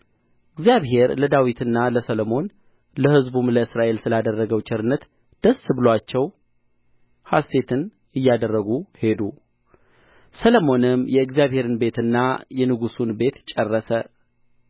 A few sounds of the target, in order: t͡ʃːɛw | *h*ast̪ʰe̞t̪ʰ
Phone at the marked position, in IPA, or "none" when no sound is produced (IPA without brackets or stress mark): h